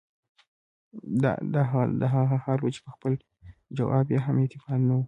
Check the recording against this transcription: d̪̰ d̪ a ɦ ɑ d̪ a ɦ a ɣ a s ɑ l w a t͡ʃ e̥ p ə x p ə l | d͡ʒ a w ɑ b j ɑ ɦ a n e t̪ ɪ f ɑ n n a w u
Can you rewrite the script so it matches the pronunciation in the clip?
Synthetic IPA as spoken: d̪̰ d̪ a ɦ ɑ d̪ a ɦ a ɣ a h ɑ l w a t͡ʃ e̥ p ə x p ə l | d͡ʒ a w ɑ b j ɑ ɦ a m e t̪ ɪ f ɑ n n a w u